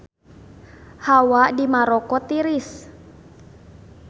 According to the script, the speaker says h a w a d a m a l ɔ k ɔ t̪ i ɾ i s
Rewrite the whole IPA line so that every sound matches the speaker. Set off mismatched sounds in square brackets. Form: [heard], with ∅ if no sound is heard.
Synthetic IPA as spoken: h a w a d [i] m a [ɾ] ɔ k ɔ t̪ i ɾ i s